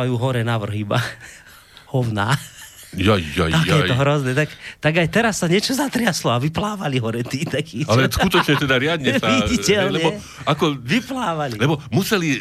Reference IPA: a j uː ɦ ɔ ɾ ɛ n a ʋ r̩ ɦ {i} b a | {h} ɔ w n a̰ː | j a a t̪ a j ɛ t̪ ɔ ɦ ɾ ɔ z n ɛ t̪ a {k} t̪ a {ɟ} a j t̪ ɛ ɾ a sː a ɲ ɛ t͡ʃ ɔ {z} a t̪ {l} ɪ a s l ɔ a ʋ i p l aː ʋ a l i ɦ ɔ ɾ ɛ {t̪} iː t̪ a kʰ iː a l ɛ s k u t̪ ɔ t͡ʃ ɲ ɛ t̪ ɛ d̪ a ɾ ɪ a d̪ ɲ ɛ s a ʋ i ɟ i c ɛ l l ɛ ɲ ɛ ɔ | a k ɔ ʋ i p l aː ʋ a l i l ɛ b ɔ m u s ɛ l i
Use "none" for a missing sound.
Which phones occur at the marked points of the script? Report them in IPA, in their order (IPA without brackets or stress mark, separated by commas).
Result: i, h, k, ɡ, z, ɾ, t̪